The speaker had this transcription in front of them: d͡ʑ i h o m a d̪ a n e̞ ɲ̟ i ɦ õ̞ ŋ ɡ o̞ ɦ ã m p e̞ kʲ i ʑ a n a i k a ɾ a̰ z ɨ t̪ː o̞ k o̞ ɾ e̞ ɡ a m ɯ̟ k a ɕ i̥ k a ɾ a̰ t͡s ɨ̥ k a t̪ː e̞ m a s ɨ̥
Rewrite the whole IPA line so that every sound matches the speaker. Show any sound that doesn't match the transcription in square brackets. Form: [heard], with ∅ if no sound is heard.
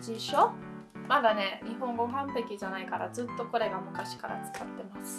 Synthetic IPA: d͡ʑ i [ɕ] o m a d̪ a n e̞ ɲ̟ i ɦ õ̞ ŋ ɡ o̞ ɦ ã m p e̞ kʲ i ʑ a n a i k a ɾ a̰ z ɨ t̪ː o̞ k o̞ ɾ e̞ ɡ a m ɯ̟ k a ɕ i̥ k a ɾ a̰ t͡s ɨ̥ k a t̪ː e̞ m a s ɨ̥